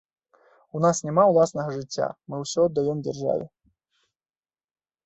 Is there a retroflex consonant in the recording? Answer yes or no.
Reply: yes